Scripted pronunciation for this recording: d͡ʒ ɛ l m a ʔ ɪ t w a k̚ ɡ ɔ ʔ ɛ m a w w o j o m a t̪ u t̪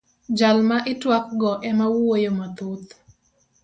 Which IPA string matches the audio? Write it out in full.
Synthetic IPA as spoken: d͡ʒ a l m a ʔ ɪ t w a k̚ ɡ ɔ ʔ ɛ m a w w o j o m a t̪ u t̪